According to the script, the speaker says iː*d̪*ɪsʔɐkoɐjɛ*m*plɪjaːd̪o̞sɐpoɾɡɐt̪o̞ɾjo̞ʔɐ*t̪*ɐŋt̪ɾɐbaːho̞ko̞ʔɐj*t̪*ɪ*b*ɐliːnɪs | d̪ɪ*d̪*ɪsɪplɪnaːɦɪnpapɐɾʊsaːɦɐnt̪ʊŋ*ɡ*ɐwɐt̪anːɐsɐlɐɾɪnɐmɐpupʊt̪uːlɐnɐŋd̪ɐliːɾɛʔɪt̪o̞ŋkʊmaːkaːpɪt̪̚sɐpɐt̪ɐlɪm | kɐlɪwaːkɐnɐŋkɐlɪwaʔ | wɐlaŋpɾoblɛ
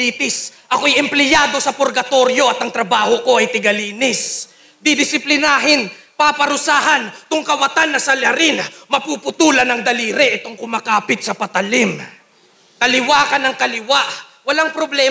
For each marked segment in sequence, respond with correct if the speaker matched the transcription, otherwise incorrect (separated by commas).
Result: incorrect, correct, correct, correct, incorrect, correct, incorrect